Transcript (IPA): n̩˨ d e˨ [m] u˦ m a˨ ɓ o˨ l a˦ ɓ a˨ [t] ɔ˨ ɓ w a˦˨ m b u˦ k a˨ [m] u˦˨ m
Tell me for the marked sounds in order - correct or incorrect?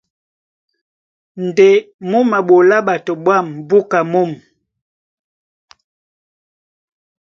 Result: correct, correct, correct

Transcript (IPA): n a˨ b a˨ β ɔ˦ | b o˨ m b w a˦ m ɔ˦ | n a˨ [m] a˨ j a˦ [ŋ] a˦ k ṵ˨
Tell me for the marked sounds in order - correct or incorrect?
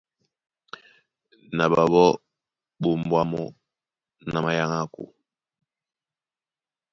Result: correct, correct

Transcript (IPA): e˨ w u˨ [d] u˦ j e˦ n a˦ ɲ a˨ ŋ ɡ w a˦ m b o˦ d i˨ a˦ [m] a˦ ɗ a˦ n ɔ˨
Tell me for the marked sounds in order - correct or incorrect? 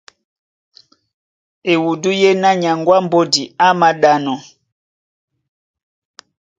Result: correct, correct

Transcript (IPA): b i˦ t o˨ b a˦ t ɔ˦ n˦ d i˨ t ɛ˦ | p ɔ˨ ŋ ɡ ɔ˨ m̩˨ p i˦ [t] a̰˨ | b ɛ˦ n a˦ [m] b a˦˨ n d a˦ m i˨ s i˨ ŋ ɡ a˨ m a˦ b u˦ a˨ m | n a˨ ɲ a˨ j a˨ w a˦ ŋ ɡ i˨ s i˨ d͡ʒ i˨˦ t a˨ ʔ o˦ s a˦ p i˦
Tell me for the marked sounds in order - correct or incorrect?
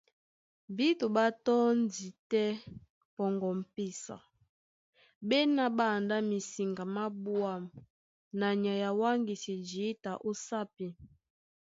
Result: incorrect, incorrect

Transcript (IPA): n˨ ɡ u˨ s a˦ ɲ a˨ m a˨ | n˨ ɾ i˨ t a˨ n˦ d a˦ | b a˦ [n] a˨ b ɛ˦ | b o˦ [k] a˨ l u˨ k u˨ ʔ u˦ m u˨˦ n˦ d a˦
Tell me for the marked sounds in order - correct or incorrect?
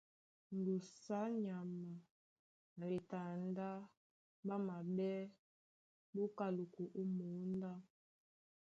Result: incorrect, correct

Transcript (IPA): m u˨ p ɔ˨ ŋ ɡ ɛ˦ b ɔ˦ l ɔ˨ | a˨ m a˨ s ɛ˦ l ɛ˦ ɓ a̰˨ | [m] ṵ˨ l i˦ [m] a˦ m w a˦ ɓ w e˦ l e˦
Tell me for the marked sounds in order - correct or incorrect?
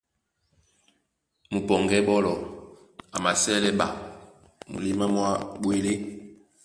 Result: correct, correct

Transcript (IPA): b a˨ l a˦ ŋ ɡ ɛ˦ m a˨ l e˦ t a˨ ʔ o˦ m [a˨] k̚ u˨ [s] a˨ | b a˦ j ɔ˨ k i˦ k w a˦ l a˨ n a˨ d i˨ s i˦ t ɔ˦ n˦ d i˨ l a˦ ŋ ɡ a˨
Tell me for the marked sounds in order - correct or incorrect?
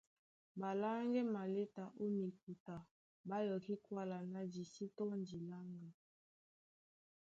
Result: incorrect, incorrect

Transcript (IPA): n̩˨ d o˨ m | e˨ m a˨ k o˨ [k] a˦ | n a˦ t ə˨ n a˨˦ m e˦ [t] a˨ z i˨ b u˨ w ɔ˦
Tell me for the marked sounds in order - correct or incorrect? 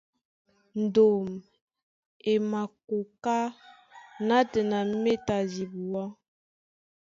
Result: correct, correct

